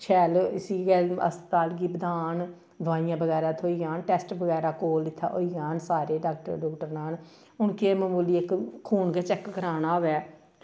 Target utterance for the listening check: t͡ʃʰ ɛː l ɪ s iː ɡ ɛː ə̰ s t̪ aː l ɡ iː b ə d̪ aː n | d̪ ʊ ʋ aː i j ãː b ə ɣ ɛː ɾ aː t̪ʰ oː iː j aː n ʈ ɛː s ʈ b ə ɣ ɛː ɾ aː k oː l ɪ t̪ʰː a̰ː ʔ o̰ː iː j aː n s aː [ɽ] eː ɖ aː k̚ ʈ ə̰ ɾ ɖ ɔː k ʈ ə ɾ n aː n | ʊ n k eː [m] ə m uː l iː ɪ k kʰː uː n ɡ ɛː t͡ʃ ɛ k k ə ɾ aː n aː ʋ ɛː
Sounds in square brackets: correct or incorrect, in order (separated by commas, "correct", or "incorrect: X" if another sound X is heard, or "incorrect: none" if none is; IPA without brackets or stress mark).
incorrect: ɾ, correct